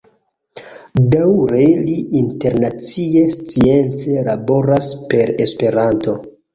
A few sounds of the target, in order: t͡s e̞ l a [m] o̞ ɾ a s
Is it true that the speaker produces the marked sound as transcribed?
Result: no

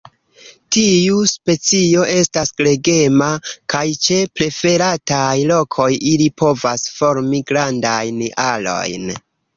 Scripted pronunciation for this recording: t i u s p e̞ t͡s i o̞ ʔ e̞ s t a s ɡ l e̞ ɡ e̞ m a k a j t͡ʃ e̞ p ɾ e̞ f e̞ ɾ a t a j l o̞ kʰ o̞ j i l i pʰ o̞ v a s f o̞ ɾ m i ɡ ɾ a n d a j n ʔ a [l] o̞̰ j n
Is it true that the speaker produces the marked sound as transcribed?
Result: yes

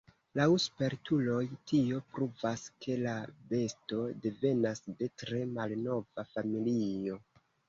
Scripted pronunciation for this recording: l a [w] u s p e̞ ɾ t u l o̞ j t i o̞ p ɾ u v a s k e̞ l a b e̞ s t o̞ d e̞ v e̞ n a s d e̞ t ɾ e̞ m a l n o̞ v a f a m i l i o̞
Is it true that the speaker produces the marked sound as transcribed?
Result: yes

